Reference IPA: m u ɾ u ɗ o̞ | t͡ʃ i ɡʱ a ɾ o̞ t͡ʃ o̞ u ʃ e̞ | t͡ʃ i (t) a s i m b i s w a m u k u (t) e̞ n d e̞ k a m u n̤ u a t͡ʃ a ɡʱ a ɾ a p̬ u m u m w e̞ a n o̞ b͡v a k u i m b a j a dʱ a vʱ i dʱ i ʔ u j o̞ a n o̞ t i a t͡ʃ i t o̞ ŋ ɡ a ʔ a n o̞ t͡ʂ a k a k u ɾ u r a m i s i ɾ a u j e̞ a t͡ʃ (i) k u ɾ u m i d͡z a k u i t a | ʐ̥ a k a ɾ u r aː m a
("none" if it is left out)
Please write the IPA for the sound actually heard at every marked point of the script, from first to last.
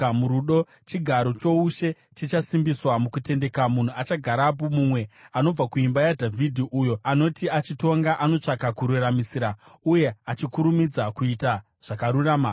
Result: t͡ʃ, t, i

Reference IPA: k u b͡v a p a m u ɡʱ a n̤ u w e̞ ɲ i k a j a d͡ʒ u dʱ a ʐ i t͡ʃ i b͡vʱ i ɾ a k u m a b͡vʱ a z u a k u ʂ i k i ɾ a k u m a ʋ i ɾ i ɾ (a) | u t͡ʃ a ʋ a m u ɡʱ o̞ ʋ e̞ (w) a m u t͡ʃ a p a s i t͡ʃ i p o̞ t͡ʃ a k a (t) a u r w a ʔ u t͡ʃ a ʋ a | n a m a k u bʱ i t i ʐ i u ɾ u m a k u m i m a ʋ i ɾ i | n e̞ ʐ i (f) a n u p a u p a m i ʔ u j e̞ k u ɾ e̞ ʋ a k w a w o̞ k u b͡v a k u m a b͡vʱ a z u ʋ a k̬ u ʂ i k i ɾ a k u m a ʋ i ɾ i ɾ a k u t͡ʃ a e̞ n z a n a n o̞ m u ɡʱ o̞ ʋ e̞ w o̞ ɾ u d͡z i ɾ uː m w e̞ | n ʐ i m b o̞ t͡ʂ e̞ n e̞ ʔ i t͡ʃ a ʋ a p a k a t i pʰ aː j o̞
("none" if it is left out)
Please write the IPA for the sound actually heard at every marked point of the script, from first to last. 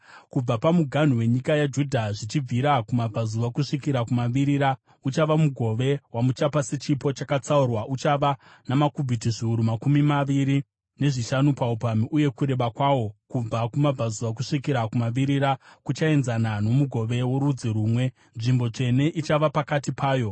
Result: a, w, t͡s, ʃ

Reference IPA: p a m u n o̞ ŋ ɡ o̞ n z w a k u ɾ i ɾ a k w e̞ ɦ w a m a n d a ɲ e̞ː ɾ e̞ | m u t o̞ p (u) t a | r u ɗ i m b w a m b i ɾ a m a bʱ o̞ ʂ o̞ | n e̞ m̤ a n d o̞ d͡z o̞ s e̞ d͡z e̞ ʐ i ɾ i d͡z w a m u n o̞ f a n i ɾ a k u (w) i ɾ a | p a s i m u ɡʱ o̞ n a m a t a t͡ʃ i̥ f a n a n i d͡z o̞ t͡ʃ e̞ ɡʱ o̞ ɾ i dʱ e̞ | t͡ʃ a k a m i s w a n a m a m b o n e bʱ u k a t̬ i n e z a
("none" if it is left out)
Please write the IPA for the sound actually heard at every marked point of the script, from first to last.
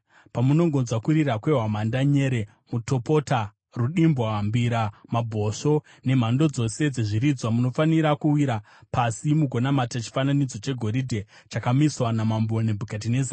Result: o, w

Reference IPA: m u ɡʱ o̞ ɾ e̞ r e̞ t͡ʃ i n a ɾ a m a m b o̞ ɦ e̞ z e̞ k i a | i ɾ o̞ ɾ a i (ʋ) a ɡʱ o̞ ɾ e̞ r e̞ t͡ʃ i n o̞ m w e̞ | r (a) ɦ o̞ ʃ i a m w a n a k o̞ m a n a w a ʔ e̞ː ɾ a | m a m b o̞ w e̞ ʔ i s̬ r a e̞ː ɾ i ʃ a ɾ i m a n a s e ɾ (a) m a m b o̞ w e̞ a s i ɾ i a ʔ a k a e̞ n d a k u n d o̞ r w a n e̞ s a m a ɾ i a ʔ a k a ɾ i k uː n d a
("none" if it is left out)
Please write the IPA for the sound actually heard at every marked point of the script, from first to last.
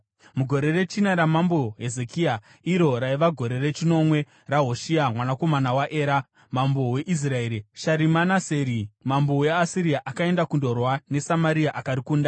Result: ʋ, a, i

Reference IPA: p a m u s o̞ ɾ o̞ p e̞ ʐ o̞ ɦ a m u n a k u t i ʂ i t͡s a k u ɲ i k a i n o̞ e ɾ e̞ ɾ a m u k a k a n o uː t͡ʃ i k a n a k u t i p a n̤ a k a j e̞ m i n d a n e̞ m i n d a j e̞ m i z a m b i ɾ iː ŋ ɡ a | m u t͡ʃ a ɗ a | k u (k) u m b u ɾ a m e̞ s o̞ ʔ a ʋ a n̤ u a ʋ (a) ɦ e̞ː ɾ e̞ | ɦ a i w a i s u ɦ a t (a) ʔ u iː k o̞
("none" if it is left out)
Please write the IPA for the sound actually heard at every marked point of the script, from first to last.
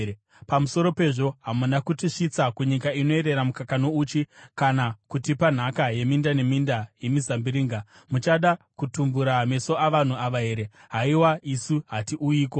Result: t, a, i

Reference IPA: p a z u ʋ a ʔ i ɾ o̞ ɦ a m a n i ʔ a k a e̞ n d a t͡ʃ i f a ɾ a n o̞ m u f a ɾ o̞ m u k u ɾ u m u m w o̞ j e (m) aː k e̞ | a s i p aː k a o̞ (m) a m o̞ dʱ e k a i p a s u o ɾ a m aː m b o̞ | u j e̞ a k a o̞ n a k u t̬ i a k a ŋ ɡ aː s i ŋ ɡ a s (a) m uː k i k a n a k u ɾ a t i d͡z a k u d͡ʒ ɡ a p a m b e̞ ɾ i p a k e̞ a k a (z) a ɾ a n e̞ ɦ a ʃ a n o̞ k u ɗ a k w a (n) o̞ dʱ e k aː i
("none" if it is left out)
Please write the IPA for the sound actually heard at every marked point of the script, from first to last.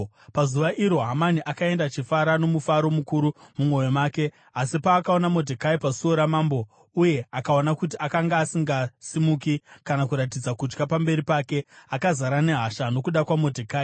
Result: m, n, i, z, m

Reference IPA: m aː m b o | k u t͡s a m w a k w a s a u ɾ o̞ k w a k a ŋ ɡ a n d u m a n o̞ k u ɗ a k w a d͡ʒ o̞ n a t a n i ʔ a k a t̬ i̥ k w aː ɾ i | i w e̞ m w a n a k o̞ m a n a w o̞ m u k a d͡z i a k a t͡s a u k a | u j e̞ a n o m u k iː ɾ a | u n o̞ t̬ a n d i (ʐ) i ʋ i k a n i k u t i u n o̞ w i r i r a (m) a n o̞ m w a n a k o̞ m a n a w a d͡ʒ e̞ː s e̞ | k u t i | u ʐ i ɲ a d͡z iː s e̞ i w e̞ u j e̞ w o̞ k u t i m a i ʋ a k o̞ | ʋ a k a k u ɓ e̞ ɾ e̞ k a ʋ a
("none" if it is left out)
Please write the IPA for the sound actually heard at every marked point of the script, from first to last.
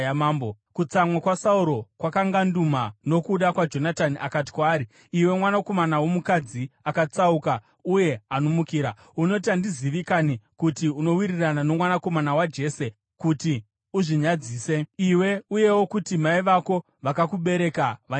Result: z, n

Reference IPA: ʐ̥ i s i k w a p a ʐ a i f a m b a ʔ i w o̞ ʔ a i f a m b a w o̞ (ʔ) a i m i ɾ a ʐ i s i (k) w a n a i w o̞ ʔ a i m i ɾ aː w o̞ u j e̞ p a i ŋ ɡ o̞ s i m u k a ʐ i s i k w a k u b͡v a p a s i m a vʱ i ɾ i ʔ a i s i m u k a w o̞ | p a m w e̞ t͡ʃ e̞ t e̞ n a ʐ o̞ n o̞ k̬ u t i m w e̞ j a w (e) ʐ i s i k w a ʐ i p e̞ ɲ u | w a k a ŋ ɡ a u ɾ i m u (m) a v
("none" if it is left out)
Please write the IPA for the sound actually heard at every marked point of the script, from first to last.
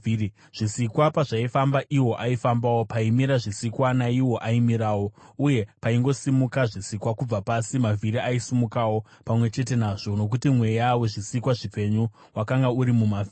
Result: p, k, e, m

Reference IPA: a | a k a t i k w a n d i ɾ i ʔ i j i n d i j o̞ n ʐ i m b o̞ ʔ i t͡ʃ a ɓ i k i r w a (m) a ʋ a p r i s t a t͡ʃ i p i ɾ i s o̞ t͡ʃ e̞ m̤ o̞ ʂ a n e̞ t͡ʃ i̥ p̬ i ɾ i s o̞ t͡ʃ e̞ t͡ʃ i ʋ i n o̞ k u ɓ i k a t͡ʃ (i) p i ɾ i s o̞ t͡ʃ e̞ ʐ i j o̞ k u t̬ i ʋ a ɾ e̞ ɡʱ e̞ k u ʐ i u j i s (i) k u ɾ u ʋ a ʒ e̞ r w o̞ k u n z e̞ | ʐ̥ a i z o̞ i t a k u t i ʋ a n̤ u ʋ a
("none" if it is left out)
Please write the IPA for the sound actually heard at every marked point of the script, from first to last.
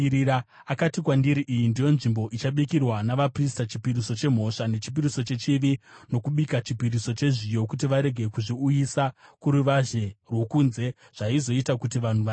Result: n, i, a

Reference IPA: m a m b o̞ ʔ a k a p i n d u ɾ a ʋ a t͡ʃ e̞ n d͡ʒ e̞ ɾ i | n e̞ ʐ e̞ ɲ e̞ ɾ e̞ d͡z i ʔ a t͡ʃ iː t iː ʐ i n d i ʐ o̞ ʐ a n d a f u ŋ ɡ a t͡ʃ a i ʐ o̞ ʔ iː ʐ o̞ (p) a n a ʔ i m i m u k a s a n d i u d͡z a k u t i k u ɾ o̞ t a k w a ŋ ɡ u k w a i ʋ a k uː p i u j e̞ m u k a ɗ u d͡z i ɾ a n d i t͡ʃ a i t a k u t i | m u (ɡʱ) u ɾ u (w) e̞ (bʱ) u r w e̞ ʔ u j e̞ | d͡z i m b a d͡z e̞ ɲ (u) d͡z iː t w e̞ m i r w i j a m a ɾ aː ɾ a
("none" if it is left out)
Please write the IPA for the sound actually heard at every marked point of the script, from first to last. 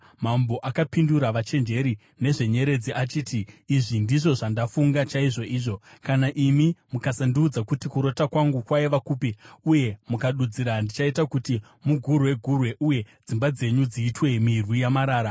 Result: k, ɡʱ, w, ɡʱ, u

